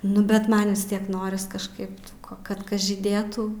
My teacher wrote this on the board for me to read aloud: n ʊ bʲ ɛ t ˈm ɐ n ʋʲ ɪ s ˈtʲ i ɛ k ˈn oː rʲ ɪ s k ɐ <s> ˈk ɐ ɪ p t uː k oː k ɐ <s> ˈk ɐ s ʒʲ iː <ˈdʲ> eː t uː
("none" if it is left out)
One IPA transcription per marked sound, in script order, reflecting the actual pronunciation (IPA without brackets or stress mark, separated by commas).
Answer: ʃ, t, dʲ